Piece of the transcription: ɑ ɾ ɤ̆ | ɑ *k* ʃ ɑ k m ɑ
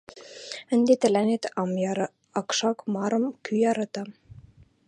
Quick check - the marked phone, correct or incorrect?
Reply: correct